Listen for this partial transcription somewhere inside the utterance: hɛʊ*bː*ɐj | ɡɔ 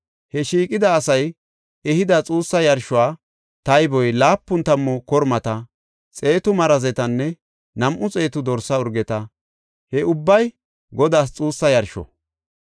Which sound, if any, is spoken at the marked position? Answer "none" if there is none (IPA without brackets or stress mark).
bː